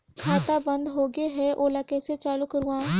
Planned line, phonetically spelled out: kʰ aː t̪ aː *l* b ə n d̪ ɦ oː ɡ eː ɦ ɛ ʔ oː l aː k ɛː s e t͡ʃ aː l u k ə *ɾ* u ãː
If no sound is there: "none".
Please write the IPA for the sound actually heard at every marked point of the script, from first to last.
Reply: none, ɾ

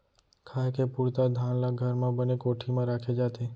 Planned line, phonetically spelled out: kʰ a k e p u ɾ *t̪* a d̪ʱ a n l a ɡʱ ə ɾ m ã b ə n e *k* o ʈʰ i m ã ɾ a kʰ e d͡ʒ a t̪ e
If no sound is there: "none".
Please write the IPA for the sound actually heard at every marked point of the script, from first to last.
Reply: t̪, k

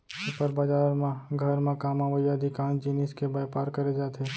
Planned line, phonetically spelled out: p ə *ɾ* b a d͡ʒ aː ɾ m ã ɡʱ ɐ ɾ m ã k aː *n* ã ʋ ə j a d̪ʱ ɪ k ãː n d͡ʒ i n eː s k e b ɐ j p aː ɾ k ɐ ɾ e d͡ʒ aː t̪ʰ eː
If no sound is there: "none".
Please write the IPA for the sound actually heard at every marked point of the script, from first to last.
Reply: ɾ, m

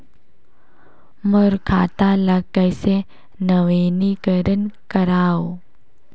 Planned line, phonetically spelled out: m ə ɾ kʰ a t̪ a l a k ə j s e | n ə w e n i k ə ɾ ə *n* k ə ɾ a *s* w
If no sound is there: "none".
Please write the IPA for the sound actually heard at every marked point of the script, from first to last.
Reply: n, none

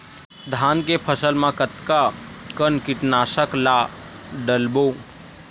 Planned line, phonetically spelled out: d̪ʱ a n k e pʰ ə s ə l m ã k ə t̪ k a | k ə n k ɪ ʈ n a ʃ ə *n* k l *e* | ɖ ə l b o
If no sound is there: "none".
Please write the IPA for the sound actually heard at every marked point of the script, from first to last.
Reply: none, a

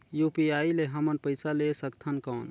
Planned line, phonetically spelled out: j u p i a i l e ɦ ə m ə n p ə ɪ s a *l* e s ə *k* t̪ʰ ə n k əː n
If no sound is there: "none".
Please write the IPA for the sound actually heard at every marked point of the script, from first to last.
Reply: l, k

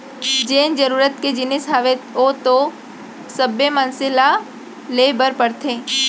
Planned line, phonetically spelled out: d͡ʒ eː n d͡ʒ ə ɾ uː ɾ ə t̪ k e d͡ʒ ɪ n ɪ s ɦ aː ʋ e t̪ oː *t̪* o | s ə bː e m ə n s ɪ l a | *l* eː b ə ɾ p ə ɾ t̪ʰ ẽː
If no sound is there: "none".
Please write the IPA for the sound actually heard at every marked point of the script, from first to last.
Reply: t̪, l

